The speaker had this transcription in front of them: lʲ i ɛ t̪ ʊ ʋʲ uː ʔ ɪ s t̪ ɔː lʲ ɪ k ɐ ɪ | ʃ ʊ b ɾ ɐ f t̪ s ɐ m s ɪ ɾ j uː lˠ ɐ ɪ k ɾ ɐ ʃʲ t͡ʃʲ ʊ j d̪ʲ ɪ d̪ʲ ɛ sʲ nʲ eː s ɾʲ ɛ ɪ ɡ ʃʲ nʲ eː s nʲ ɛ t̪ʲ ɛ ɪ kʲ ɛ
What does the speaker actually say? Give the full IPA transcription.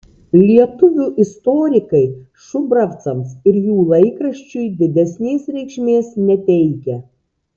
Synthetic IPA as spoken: lʲ i ɛ t̪ ʊ ʋʲ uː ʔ ɪ s t̪ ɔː ɾʲ ɪ k ɐ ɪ | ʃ ʊ b ɾ ɐ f t̪ s ɐ m s ɪ ɾ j uː lˠ ɐ ɪ k ɾ ɐ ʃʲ t͡ʃʲ ʊ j d̪ʲ ɪ d̪ʲ ɛ sʲ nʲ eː s ɾʲ ɛ ɪ k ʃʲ mʲ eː s nʲ ɛ t̪ʲ ɛ ɪ kʲ ɛ